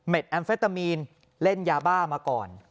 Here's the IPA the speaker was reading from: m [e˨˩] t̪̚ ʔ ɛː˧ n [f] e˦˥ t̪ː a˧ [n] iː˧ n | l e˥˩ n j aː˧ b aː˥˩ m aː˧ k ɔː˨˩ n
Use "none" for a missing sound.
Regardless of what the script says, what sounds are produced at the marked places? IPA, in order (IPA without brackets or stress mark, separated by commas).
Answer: e˨˩, f, m